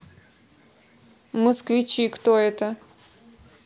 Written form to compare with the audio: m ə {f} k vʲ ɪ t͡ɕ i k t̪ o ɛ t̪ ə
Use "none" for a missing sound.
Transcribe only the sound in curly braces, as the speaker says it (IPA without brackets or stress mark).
s